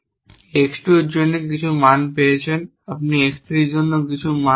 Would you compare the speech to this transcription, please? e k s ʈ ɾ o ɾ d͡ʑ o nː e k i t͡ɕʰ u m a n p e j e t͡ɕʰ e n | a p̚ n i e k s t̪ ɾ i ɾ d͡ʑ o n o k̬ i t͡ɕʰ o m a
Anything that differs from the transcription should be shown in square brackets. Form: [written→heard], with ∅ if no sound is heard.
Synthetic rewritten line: e k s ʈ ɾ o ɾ d͡ʑ o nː e k i t͡ɕʰ u m a n p e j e t͡ɕʰ e n | a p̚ n i e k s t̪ ɾ i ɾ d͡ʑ o [n→nː] o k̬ i t͡ɕʰ [o→u] m a

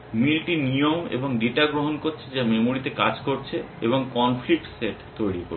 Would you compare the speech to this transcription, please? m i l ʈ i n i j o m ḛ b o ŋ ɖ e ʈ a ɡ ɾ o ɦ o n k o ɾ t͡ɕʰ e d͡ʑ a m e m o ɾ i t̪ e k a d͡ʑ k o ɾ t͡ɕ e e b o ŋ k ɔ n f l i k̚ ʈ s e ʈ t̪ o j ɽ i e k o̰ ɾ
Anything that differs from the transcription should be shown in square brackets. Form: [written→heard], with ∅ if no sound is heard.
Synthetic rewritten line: m i l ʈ i n i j o m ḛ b o ŋ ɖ e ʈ a ɡ ɾ o ɦ o n k o ɾ t͡ɕʰ e d͡ʑ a m e m o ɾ i t̪ e k a d͡ʑ k o ɾ [t͡ɕ→t͡ɕʰ] e e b o ŋ k ɔ n f l i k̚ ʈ s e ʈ t̪ o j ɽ i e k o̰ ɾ

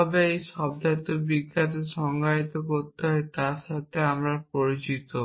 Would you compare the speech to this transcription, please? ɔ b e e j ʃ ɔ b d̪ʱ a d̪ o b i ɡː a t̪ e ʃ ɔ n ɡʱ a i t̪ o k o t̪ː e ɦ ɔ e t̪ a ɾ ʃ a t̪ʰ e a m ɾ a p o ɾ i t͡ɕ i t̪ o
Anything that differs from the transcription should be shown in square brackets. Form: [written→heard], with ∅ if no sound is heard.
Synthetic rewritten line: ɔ b e e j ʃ ɔ b d̪ʱ a [d̪→t̪] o b i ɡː a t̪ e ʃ ɔ [n→ŋ] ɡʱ a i t̪ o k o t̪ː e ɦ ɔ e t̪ a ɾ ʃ a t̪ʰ e a m ɾ a p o ɾ i t͡ɕ i t̪ o

